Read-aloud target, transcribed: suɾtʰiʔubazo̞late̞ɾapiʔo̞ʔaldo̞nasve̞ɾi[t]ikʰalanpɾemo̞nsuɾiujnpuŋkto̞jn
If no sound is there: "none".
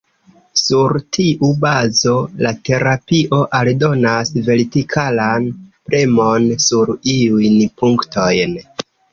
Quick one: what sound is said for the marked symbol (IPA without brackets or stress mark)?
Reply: t